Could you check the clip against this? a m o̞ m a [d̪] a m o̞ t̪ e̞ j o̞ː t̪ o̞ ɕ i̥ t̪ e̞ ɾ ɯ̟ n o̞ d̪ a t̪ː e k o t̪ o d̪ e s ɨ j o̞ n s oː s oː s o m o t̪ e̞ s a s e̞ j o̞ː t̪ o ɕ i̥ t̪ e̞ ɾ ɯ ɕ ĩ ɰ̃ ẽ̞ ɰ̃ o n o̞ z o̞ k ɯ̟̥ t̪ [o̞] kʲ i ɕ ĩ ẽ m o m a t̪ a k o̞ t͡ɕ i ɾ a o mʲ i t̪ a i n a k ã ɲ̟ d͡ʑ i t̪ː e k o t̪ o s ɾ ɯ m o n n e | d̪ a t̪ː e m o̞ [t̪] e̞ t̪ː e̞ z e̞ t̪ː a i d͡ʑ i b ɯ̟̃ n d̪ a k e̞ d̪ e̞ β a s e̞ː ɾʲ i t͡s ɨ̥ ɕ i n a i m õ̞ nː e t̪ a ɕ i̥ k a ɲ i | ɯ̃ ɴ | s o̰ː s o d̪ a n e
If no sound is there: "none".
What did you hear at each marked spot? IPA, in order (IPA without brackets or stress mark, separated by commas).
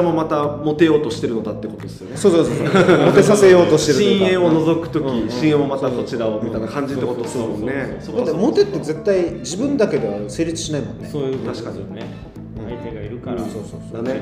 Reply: t̪, o̞, t̪